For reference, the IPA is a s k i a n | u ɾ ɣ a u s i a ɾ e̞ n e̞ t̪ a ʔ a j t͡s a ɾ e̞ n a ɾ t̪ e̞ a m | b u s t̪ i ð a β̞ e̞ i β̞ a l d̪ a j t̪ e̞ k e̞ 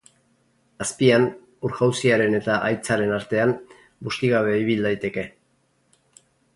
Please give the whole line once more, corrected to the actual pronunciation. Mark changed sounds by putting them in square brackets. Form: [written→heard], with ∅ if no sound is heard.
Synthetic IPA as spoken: a s [k→p] i a n | u ɾ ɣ a [u→w] s i a ɾ e̞ n e̞ t̪ a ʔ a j t͡s a ɾ e̞ n a ɾ t̪ e̞ a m | b u s t̪ i [ð→ɣ] a β̞ e̞ i β̞ [a→i] l d̪ a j t̪ e̞ k e̞